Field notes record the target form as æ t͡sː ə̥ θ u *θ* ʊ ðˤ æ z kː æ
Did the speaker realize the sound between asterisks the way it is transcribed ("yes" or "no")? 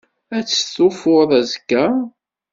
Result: no